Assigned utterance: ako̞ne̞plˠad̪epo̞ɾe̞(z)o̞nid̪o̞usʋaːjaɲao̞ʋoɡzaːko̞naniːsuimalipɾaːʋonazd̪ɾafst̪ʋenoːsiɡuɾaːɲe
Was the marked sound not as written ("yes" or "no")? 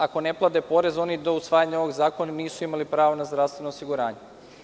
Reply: no